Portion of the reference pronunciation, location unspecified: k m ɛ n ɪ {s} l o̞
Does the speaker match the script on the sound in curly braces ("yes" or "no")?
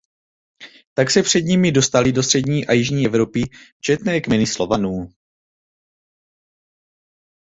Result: yes